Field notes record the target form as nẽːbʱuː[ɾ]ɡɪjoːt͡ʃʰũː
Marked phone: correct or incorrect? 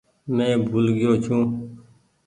incorrect